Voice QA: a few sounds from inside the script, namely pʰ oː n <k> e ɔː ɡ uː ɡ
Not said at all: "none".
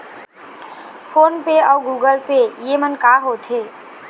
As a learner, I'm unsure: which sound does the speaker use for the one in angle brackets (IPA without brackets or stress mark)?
p